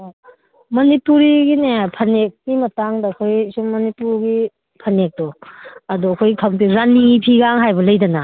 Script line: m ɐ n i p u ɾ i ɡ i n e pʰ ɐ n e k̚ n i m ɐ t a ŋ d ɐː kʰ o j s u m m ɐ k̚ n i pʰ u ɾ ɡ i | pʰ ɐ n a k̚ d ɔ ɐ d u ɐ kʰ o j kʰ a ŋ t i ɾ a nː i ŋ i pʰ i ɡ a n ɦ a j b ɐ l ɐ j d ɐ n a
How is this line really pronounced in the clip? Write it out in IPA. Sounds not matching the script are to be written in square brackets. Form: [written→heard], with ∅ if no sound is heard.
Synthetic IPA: m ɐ n i p u ɾ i ɡ i n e pʰ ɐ n e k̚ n i m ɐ t a ŋ d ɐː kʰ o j s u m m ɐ [k̚→∅] n i [pʰ→p] u ɾ ɡ i | pʰ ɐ n [a→e] k̚ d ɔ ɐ d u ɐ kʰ o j kʰ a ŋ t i ɾ a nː i ŋ i pʰ i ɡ a [n→ŋ] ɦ a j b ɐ l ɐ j d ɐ n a